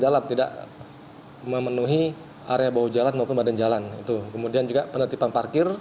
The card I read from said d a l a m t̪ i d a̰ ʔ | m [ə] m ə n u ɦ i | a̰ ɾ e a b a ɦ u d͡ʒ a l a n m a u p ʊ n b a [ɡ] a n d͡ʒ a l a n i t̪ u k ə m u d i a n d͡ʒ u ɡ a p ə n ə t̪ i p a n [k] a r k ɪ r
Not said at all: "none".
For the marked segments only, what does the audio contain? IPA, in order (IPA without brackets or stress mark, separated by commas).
ə, d, p